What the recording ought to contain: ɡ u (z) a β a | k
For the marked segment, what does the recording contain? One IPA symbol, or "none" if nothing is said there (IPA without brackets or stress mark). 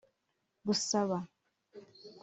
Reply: s